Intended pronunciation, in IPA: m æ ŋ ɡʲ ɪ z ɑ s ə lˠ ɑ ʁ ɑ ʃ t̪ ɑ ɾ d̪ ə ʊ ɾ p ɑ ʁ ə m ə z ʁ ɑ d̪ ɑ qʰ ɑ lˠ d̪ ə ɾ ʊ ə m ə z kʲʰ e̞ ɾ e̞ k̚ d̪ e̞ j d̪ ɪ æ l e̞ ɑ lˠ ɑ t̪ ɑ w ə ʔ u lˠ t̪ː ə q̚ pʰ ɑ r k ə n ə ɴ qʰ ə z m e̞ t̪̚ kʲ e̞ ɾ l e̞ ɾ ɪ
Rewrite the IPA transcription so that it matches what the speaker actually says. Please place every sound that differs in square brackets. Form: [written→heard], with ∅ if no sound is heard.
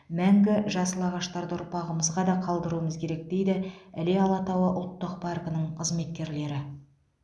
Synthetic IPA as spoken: m æ ŋ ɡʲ ɪ [z→ʒ] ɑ s ə lˠ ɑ ʁ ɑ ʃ t̪ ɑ ɾ d̪ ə ʊ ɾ p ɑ ʁ ə m ə z ʁ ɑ d̪ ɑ qʰ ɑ lˠ d̪ ə ɾ [ʊ→u] ə m ə z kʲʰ e̞ ɾ e̞ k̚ d̪ e̞ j d̪ ɪ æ l e̞ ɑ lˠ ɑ t̪ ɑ w ə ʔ [u→ʊ] lˠ t̪ː ə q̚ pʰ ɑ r k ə n ə ɴ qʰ ə z m e̞ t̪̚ kʲ e̞ ɾ l e̞ ɾ ɪ